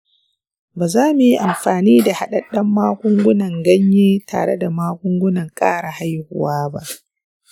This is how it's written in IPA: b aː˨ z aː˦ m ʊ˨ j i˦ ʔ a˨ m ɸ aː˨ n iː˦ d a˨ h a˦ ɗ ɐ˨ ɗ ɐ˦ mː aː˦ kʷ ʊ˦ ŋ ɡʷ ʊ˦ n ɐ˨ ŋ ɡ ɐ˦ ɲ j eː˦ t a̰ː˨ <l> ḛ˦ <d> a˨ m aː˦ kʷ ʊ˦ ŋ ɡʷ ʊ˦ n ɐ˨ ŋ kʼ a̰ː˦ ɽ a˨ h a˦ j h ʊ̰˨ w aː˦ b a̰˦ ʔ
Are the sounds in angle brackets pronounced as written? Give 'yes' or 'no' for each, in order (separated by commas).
no, yes